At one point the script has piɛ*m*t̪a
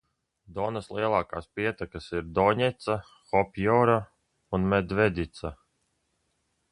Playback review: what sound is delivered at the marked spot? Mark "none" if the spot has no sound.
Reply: none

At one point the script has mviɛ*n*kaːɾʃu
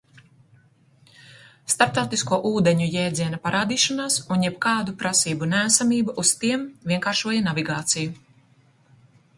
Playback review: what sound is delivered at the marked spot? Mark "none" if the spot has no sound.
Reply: ŋ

